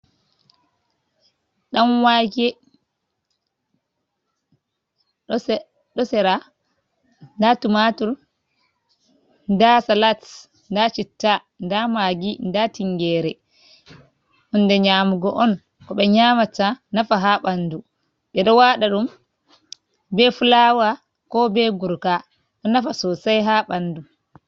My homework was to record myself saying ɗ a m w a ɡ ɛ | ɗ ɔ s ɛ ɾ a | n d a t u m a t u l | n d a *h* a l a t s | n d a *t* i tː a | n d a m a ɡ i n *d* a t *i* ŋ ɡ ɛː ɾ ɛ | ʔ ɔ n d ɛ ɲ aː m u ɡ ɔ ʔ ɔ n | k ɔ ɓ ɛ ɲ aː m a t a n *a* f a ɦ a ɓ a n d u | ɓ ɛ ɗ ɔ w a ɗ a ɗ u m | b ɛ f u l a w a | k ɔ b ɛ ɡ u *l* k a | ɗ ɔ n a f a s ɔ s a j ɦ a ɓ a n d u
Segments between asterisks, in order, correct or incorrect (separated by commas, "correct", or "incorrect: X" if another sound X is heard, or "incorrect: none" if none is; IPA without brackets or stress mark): incorrect: s, incorrect: t͡ʃ, correct, correct, correct, incorrect: ɾ